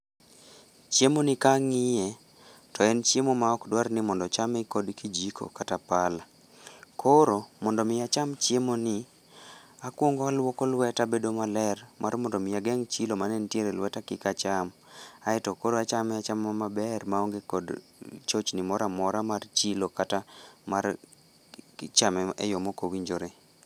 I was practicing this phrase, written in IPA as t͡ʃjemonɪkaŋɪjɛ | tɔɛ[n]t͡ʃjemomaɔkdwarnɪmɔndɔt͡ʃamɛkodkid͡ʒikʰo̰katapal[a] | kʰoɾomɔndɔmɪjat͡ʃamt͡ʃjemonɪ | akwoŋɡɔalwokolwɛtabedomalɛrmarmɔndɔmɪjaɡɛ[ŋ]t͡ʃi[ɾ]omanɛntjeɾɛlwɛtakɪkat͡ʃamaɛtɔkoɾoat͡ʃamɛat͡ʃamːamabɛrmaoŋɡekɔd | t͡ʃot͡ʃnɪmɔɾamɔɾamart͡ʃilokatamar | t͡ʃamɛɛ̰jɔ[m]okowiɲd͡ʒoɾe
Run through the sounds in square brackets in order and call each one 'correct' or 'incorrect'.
correct, correct, correct, incorrect: l, correct

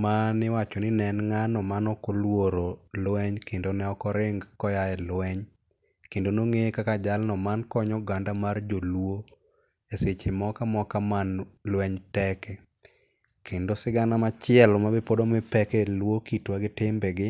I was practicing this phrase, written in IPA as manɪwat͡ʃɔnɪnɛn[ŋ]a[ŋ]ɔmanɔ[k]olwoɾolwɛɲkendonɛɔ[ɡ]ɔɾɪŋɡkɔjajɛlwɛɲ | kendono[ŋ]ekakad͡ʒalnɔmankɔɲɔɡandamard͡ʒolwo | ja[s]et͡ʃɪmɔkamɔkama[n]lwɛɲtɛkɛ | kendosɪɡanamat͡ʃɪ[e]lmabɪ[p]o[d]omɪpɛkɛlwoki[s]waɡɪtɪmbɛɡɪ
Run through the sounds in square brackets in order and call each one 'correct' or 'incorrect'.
correct, incorrect: n, correct, incorrect: k, correct, correct, correct, incorrect: ɛ, correct, correct, incorrect: t

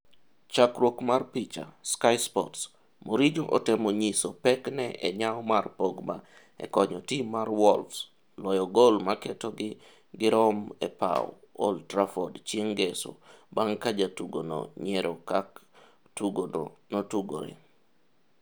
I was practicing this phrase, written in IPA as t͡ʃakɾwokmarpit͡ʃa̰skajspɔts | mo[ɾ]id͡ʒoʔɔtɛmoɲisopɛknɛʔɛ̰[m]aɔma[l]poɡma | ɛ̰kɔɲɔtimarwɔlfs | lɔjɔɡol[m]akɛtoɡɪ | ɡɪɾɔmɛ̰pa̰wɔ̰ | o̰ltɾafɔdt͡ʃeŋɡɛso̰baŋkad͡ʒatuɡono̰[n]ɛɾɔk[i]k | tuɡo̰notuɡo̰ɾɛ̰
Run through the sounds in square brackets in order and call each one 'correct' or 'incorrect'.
correct, incorrect: ɲ, incorrect: r, correct, incorrect: ɲ, incorrect: a

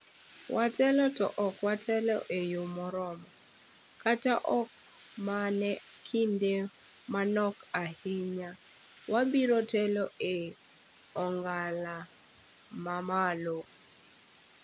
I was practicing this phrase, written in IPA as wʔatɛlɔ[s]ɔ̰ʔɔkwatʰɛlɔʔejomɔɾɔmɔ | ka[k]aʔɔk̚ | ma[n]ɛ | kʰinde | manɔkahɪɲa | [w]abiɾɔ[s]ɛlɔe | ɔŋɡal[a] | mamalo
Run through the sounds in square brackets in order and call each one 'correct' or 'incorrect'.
incorrect: t, incorrect: t, correct, correct, incorrect: t, correct

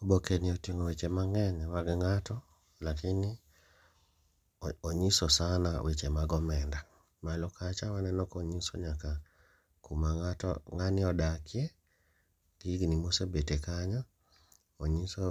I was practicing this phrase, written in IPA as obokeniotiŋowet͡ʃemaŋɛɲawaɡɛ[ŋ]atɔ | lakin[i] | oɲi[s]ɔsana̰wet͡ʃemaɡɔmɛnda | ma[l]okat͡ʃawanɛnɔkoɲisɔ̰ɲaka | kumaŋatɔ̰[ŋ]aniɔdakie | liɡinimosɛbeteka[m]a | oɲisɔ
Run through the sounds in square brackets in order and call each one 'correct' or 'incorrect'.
correct, correct, correct, correct, correct, incorrect: ɲ

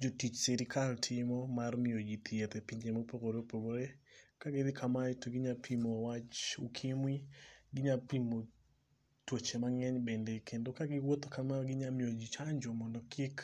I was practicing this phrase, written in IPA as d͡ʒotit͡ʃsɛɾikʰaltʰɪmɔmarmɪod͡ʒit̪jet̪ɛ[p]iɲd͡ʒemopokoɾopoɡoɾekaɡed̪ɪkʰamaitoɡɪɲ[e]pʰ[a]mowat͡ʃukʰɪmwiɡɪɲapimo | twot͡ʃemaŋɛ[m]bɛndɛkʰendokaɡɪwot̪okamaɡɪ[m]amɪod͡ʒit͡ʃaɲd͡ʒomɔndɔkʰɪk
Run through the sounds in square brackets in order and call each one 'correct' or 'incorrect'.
correct, incorrect: a, incorrect: i, incorrect: ɲ, incorrect: ɲ

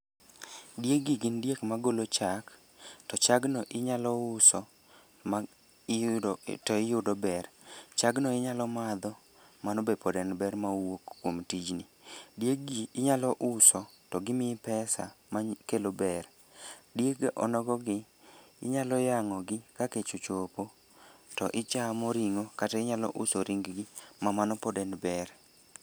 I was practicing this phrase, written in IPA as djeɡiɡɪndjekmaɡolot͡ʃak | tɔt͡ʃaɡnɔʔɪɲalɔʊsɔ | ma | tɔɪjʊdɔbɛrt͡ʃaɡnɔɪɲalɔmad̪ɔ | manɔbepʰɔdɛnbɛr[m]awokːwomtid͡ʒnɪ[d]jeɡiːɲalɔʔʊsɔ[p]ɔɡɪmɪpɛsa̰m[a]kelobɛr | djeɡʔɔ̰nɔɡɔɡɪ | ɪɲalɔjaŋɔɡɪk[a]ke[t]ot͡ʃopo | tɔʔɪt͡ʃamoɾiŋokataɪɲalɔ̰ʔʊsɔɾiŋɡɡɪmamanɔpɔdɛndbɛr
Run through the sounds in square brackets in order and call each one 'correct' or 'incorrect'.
correct, correct, incorrect: t, correct, correct, incorrect: t͡ʃ

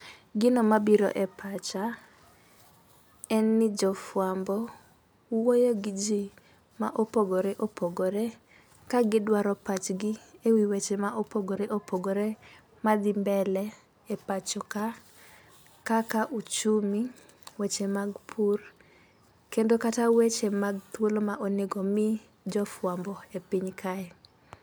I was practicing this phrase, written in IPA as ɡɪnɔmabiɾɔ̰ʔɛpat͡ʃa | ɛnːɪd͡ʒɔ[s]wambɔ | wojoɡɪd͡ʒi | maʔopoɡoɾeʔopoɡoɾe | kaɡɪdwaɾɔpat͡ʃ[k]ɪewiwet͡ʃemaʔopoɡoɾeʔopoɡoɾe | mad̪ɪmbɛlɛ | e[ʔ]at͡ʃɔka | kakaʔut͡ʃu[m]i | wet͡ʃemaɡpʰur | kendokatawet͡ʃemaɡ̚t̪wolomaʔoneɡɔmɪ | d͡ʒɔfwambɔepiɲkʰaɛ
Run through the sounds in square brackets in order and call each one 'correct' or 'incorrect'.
incorrect: f, incorrect: ɡ, incorrect: p, correct

